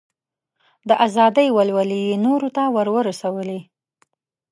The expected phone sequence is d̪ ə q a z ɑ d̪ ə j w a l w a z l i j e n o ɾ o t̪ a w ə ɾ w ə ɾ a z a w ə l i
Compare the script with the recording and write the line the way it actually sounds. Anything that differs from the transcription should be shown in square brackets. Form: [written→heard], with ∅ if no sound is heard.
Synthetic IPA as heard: d̪ ə [q→ʔ] a z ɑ d̪ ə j w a l w a [z→∅] l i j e n o ɾ o t̪ a w ə ɾ w ə ɾ a [z→s] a w ə l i